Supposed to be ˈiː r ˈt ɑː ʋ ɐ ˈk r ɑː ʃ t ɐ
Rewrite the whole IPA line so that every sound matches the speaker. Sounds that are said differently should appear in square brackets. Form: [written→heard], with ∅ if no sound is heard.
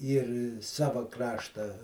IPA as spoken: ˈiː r [ˈt→ˈs] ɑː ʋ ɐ ˈk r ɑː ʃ t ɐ